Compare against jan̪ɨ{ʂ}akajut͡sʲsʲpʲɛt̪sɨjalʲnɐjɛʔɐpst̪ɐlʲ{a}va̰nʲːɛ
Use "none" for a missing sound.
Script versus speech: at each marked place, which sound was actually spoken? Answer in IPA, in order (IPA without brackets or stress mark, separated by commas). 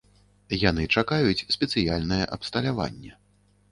t͡ʂ, a